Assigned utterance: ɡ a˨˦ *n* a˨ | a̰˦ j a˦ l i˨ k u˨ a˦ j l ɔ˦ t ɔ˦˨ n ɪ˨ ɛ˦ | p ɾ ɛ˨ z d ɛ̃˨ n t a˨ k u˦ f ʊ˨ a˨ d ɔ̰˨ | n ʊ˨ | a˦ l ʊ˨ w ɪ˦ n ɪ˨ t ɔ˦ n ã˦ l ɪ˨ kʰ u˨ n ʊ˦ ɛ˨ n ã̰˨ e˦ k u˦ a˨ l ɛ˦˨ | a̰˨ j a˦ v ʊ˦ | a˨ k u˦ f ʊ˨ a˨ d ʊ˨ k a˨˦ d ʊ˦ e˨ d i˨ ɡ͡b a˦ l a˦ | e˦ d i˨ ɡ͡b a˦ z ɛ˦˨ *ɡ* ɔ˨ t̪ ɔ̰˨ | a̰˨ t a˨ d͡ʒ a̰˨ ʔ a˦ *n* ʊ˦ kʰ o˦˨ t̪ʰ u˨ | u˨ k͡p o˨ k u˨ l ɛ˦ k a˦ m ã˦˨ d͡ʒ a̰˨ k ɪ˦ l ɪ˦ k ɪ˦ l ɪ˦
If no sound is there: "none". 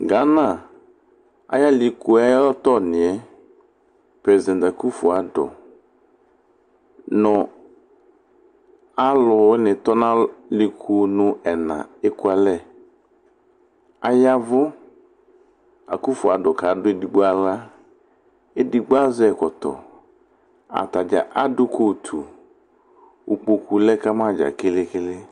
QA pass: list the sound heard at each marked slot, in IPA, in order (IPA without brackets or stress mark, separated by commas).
n, k, d